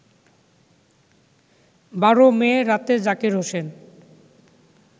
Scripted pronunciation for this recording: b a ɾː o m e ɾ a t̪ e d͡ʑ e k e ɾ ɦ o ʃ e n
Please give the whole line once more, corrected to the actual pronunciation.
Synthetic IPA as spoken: b a ɾ o m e ɾ a t̪ e d͡ʑ a k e ɾ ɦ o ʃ e n